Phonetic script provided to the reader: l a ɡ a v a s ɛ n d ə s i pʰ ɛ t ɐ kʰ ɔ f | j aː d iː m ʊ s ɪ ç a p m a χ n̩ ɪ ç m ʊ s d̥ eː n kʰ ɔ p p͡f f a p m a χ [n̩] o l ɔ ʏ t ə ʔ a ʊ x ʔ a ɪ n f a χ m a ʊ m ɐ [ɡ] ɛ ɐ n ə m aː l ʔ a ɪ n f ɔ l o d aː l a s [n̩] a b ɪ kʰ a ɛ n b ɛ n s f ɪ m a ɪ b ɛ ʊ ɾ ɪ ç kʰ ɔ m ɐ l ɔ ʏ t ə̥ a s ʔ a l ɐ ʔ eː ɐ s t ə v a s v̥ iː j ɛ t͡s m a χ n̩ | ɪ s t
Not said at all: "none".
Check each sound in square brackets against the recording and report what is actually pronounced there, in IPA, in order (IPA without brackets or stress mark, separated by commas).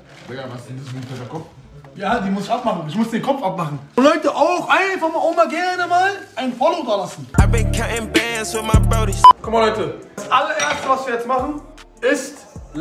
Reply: n̩, ɡ, n̩